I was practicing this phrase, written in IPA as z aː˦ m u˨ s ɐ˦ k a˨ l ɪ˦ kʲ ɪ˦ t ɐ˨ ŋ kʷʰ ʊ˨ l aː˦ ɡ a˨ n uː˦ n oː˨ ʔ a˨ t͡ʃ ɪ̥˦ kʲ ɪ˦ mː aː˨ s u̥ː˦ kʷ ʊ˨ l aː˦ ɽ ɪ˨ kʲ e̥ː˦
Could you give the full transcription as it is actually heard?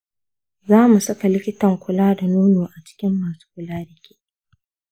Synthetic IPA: z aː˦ m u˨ s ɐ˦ k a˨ l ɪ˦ kʲ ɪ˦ t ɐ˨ ŋ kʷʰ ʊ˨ l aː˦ d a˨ n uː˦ n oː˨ ʔ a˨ t͡ʃ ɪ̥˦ kʲ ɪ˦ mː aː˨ s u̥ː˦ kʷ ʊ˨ l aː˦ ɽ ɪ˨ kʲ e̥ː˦